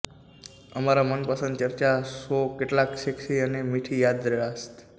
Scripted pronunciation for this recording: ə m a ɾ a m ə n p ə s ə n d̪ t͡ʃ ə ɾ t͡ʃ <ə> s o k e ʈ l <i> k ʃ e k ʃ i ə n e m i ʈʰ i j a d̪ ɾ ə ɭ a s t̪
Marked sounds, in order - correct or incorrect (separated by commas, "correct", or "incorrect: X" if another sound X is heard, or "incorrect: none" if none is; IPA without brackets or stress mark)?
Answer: incorrect: a, incorrect: a